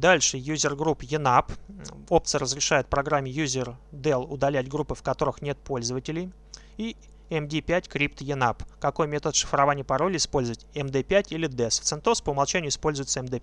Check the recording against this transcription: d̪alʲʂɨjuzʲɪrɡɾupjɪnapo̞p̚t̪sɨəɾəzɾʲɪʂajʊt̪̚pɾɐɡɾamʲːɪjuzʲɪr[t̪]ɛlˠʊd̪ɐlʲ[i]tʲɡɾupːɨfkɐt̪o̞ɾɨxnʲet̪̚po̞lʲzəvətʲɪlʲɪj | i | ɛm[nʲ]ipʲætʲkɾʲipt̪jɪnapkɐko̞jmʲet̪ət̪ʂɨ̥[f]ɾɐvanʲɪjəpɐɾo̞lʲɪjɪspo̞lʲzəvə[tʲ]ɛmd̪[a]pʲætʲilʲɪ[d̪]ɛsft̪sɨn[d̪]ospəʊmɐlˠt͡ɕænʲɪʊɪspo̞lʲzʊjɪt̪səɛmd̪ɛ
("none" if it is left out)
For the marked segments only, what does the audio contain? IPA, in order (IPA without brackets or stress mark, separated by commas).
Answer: d̪, æ, dʲ, f, tʲ, ɛ, d̪, t̪